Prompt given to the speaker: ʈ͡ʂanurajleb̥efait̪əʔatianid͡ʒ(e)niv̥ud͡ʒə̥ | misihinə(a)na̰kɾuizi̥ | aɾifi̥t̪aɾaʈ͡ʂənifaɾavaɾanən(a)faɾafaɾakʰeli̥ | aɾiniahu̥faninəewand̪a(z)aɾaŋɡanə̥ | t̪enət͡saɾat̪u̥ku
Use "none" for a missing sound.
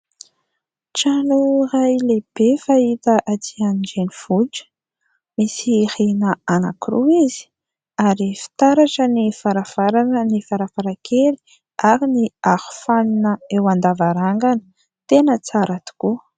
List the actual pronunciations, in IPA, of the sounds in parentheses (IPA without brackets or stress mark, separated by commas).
e, a, i, v